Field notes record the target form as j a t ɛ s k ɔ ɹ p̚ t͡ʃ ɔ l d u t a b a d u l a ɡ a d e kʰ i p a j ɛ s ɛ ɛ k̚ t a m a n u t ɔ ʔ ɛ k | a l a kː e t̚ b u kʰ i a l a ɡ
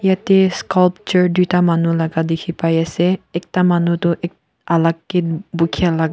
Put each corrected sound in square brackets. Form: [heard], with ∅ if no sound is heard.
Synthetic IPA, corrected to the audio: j a t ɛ s k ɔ [l] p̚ t͡ʃ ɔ [ɹ] d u t a [m] a [n] u l a ɡ a d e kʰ i p a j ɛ s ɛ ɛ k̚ t a m a n u t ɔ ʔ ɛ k | a l a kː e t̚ b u kʰ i a l a ɡ